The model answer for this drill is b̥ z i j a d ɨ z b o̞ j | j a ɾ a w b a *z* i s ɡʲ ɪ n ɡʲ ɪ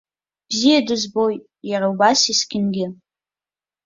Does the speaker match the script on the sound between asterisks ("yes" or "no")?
no